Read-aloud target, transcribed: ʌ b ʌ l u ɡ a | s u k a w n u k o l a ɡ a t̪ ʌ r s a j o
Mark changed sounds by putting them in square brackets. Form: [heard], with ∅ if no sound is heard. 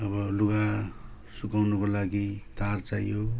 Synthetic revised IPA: ʌ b ʌ l u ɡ a | s u k a w n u k o l a ɡ [i] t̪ [a] r [t͡s] a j o

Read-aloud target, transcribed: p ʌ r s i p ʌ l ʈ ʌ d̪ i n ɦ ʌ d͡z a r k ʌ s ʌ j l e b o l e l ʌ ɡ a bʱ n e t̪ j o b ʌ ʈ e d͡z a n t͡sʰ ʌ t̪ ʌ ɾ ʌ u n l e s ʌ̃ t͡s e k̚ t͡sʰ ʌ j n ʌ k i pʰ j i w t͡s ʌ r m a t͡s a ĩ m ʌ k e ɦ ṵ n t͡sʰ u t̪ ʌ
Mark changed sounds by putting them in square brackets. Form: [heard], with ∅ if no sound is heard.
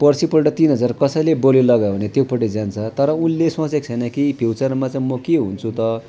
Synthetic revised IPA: p ʌ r s i p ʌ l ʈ ʌ [t̪] i n ɦ ʌ d͡z a r k ʌ s ʌ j l e b o l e l ʌ ɡ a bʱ n e t̪ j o [p] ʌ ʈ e d͡z a n t͡sʰ ʌ t̪ ʌ ɾ ʌ u n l e s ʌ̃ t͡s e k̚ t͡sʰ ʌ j n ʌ k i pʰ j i w t͡s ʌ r m a t͡s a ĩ m ʌ k e ɦ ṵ n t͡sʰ u t̪ ʌ

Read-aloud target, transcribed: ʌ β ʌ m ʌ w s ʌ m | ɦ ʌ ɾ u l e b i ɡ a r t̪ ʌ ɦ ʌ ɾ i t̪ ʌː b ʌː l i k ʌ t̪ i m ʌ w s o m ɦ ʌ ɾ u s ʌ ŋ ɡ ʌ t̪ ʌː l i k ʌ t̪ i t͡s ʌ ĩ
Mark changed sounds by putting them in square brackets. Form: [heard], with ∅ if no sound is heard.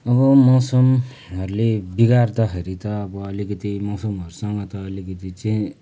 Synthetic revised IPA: ʌ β ʌ m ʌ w s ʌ m | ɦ ʌ ɾ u l e b i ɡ a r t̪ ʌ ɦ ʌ ɾ i t̪ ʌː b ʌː l i k ʌ t̪ i m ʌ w s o m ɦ ʌ ɾ u s ʌ ŋ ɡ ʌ t̪ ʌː l i k ʌ t̪ i t͡s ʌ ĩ

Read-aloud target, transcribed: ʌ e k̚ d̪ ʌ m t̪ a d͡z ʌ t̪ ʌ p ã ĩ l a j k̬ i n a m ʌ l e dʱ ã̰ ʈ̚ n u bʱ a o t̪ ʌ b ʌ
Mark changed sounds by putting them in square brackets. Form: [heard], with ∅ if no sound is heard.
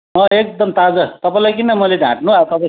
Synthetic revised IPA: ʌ e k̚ d̪ ʌ m t̪ a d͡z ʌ t̪ ʌ p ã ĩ l a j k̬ i n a m ʌ l e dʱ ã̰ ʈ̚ n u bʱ a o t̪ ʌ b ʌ

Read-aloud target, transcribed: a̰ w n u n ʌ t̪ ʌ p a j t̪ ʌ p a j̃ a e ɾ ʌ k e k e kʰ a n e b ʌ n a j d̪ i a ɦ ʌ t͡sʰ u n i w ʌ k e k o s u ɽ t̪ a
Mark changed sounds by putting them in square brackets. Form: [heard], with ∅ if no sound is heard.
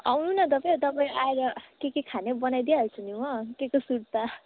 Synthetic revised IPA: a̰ w n u n ʌ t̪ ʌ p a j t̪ ʌ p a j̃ a e ɾ ʌ k e k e kʰ a n e b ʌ n a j d̪ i a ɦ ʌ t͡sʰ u n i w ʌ k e k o s u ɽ t̪ a

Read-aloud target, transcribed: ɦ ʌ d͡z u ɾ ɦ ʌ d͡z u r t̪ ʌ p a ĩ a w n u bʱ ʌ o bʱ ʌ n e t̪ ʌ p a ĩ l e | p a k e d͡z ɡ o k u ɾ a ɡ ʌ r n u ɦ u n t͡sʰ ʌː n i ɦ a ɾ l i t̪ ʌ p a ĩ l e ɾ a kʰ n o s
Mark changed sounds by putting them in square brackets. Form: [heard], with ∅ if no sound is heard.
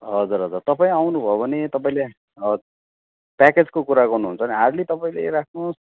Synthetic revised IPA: ɦ ʌ d͡z u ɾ ɦ ʌ d͡z u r t̪ ʌ p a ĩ a w n u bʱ ʌ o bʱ ʌ n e t̪ ʌ p a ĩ l e | p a k e d͡z [k] o k u ɾ a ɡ ʌ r n u ɦ u n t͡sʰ [ʌ] n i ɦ a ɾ l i t̪ ʌ p a ĩ l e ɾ a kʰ n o s

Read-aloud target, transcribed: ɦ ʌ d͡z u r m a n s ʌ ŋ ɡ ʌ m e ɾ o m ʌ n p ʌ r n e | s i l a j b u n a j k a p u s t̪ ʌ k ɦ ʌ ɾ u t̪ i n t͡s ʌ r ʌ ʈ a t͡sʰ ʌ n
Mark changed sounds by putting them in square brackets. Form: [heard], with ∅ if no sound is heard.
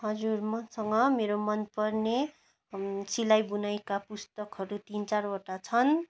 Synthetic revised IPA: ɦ ʌ d͡z u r m [ʌ] n s ʌ ŋ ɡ ʌ m e ɾ o m ʌ n p ʌ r n e | s i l a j b u n a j k a p u s t̪ ʌ k ɦ ʌ ɾ u t̪ i n t͡s [a] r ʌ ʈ a t͡sʰ ʌ n

